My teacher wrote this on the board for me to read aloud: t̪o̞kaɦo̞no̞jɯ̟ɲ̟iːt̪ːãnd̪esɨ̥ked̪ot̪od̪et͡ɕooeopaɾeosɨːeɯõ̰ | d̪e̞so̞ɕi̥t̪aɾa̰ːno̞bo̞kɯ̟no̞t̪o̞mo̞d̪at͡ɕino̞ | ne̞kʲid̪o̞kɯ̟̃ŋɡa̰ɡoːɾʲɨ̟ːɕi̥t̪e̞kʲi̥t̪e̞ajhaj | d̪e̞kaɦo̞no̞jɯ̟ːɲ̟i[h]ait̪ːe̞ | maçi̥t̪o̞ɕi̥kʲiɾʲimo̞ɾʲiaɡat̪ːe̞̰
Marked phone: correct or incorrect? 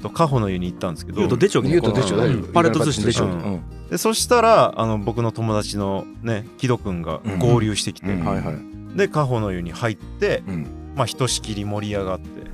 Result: correct